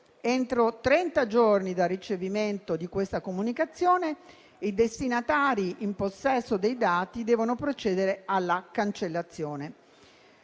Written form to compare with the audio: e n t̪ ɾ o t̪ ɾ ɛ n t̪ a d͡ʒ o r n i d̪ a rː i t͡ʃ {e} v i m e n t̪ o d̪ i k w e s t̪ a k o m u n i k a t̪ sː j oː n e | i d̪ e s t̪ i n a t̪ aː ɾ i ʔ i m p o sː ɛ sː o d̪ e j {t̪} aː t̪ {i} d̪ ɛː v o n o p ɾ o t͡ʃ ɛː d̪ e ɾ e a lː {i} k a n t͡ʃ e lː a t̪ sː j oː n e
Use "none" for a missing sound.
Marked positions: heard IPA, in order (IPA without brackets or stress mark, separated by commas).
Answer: e, d̪, i, a